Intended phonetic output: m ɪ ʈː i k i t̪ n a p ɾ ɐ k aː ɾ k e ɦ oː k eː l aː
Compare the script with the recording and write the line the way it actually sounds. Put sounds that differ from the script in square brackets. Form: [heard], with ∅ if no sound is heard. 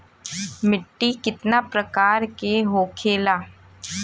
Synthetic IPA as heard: m ɪ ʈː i k [ɪ] t̪ n a p ɾ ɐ k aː ɾ k e ɦ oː [kʰ] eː l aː